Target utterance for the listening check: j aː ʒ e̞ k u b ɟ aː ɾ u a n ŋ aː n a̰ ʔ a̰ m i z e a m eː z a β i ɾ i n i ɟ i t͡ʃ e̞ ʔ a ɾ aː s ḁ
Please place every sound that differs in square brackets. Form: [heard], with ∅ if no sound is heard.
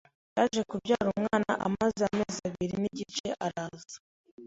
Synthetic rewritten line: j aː ʒ e̞ k u b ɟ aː ɾ u a [m] ŋ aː n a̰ ʔ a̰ m [a] z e a m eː z a β i ɾ i n i ɟ i t͡ʃ e̞ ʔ a ɾ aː [z] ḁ